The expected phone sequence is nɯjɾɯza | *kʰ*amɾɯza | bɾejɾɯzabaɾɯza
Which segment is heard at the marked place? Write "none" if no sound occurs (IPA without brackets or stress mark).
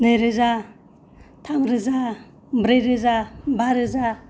tʰ